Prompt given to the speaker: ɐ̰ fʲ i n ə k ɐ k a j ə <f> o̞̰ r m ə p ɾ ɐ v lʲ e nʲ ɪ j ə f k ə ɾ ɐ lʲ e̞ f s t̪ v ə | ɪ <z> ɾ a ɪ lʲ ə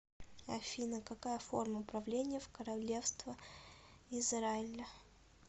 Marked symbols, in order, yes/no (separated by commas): yes, yes